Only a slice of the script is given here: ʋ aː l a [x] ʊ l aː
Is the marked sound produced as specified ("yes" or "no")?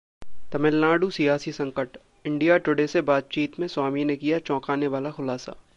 yes